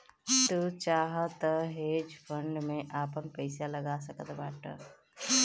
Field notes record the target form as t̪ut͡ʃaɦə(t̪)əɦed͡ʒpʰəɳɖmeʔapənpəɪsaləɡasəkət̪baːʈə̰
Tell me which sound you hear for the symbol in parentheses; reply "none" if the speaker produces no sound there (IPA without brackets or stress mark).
t̪